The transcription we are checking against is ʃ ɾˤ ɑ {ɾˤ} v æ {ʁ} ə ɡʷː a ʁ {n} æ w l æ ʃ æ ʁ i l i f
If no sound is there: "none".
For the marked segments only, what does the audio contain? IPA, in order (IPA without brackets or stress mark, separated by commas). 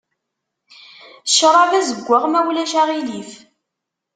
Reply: none, z, m